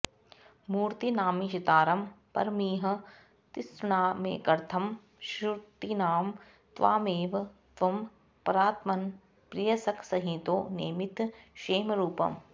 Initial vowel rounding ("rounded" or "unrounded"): rounded